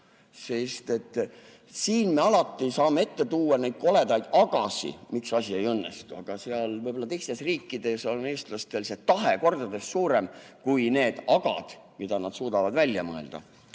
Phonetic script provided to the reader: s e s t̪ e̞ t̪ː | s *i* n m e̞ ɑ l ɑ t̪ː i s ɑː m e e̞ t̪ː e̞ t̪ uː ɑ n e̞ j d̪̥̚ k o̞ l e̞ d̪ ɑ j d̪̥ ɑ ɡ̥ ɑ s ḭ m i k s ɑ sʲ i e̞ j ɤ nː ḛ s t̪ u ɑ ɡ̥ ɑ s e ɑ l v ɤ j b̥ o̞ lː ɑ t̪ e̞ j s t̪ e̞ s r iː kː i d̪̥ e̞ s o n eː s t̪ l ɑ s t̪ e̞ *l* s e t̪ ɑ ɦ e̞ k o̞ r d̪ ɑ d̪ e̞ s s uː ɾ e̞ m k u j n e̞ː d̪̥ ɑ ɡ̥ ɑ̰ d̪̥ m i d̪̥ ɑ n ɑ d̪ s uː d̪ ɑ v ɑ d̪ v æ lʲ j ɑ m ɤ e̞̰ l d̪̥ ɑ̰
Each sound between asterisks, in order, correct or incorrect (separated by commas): incorrect, correct